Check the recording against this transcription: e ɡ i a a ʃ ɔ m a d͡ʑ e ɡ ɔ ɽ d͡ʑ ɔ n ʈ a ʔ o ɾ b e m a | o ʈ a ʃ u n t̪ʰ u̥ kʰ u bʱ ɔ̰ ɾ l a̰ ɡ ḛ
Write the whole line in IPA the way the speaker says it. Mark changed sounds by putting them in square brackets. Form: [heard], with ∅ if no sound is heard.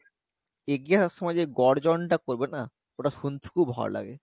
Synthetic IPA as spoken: e ɡ i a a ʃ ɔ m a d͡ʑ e ɡ ɔ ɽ d͡ʑ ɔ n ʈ a [k] o ɾ b e [n] a | o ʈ a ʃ u n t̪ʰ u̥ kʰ u bʱ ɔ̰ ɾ l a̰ ɡ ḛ